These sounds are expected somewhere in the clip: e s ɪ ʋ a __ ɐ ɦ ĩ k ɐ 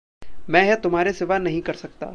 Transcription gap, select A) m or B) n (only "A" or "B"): B